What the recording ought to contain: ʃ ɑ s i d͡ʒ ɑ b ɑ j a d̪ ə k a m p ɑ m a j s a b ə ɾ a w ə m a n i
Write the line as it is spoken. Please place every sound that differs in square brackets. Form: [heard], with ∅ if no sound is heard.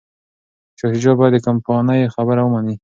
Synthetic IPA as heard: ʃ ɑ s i d͡ʒ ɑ b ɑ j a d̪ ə k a m p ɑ [n] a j [x] a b ə ɾ a w ə m a n i

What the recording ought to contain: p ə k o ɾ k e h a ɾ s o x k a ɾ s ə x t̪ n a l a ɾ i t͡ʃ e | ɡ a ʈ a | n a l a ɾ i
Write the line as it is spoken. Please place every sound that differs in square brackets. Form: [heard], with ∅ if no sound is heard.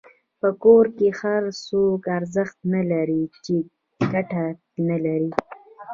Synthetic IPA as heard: p ə k o ɾ k e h a ɾ s o [∅] k a ɾ [z] ə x t̪ n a l a ɾ i t͡ʃ e | ɡ a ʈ a | n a l a ɾ i

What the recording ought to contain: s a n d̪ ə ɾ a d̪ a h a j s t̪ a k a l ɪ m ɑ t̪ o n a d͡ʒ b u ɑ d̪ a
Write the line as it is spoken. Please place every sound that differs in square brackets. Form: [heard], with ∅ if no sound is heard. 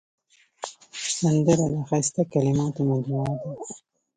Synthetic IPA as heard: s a n d̪ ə ɾ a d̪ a [x] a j s t̪ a k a l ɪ m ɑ t̪ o [m] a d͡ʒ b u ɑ d̪ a

